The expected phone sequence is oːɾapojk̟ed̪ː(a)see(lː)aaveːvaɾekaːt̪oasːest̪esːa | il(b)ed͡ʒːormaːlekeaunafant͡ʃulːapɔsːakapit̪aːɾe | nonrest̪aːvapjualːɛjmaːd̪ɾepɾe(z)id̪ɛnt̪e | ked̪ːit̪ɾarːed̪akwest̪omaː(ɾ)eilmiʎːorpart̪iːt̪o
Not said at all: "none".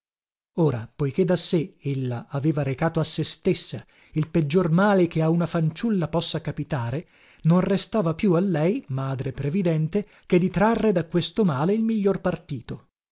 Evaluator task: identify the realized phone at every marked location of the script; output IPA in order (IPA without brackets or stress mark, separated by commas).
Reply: a, lː, p, v, l